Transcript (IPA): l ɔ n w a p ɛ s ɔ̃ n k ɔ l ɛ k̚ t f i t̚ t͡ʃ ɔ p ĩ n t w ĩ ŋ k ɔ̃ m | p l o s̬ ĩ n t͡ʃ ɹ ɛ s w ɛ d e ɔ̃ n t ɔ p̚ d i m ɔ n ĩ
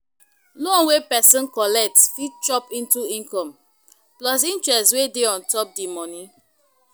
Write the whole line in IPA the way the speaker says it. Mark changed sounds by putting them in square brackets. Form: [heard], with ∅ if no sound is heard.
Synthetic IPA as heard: l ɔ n w [e] p ɛ s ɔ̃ n k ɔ l ɛ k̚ t f i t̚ t͡ʃ ɔ p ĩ n t [u] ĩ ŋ k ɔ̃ m | p l [ɔ] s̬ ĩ n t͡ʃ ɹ ɛ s w [e] d e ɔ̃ n t ɔ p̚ d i m ɔ n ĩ